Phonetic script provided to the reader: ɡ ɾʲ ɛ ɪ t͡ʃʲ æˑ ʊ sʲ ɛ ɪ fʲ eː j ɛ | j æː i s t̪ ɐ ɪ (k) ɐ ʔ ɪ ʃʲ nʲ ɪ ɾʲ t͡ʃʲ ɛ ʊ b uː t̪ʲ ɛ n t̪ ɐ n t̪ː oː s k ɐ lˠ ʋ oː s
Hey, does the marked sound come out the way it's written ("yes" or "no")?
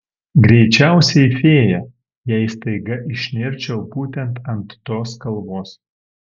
no